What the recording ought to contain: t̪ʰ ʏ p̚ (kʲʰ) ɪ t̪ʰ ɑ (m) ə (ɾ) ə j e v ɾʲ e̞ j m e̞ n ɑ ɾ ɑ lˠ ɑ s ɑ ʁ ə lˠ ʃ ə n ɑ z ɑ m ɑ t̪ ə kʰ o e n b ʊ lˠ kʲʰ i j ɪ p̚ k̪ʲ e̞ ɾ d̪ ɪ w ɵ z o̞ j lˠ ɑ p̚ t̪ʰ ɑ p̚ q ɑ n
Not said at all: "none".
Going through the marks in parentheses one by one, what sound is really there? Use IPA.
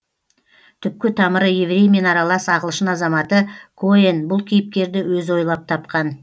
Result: kʲ, m, ɾ

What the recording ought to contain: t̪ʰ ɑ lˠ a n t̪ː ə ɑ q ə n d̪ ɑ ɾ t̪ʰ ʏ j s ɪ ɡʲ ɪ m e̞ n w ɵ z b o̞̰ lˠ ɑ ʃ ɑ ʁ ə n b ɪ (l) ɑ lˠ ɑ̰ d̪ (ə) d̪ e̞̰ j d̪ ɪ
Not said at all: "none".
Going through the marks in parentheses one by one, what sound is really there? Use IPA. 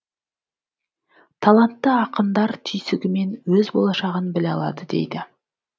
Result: l, ə

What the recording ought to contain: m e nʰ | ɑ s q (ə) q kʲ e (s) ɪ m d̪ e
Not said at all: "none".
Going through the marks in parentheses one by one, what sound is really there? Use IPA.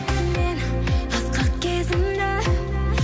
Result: ɑ, z

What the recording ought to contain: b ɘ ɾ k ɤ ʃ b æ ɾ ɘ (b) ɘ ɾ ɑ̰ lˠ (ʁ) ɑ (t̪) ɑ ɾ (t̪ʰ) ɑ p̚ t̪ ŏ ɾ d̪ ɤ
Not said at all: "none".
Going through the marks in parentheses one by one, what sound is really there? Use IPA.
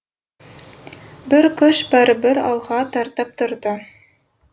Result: b, ʁ, t̪, t̪

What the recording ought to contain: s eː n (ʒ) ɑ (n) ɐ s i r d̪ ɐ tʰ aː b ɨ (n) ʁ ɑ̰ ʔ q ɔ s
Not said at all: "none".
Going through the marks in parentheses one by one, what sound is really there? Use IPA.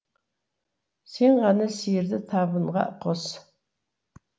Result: ʁ, n, n

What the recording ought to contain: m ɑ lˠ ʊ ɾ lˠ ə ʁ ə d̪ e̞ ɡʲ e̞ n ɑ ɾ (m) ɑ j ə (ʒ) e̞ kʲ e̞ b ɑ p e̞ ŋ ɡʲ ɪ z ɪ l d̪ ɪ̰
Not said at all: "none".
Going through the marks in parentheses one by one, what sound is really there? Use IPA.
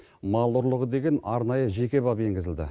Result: n, ʒ

